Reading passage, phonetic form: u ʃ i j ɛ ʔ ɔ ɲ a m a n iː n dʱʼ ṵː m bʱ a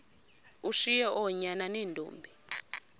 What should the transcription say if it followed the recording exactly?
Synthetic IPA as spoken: u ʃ i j ɛ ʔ ɔ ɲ a n a n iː n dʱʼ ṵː m bʱ i